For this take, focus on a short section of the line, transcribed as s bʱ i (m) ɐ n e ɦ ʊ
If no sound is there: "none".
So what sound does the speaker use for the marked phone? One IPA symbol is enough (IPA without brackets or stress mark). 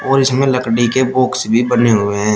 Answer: b